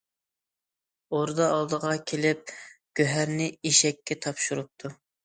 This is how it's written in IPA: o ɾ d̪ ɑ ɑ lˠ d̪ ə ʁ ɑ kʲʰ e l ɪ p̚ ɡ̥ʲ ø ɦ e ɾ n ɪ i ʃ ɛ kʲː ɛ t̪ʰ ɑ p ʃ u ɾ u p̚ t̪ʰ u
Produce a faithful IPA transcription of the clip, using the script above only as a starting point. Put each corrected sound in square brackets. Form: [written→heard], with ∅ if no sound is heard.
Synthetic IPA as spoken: o ɾ d̪ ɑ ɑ lˠ d̪ ə ʁ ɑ kʲʰ e l ɪ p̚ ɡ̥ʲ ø ɦ [e→æ] ɾ n ɪ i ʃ ɛ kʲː ɛ t̪ʰ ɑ p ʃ u ɾ u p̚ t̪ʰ u